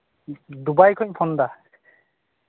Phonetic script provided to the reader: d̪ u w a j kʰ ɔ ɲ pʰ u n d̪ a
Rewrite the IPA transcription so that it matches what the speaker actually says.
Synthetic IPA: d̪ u b a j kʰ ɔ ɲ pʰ ɔ n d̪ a